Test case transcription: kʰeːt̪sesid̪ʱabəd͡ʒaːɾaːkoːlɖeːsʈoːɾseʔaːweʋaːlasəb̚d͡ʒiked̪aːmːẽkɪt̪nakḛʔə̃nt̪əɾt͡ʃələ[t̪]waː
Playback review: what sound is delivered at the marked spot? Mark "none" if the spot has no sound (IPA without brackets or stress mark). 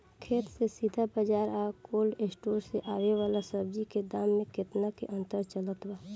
t̪